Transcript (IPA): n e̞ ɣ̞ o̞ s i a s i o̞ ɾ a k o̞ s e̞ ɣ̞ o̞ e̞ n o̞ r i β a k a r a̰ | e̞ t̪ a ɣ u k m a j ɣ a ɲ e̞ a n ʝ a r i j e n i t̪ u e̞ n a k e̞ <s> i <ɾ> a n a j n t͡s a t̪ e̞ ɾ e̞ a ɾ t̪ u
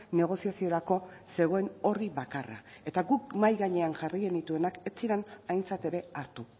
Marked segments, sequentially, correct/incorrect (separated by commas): incorrect, correct